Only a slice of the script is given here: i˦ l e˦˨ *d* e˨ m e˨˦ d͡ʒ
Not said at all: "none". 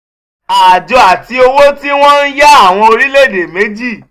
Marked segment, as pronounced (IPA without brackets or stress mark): d